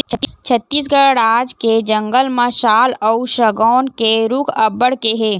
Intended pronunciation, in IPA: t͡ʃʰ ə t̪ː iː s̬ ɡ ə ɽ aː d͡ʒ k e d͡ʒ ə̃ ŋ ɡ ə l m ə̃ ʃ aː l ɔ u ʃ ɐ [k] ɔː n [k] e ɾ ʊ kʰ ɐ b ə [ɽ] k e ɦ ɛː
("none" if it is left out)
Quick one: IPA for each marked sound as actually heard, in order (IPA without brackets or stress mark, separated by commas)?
ɡ, k, ɽ